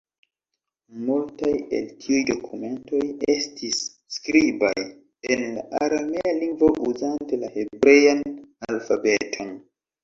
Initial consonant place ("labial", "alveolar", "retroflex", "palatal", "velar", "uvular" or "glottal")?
labial